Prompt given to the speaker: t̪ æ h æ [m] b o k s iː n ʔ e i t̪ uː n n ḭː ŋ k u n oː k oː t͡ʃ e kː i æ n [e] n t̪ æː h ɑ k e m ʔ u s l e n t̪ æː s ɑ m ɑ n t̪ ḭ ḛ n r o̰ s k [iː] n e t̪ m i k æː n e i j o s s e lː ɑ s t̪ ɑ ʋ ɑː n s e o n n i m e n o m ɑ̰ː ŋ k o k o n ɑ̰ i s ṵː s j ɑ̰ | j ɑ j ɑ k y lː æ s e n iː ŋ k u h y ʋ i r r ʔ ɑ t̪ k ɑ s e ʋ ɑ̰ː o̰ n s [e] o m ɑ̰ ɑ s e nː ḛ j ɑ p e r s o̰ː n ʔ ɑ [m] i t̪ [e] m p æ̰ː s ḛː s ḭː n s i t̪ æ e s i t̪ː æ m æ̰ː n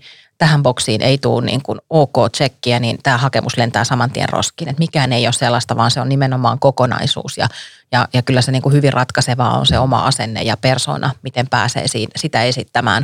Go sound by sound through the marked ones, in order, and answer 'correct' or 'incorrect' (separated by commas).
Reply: correct, incorrect, correct, correct, correct, correct